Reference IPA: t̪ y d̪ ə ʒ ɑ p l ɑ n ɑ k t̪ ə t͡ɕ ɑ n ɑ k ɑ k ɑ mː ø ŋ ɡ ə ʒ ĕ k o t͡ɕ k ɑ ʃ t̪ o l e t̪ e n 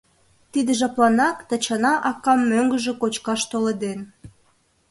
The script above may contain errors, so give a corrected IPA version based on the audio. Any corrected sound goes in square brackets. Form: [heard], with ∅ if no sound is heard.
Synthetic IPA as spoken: t̪ [i] d̪ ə ʒ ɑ p l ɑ n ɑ k t̪ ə t͡ɕ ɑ n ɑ [ʔ] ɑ k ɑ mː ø ŋ ɡ ə ʒ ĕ k o t͡ɕ k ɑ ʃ t̪ o l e [d̪] e n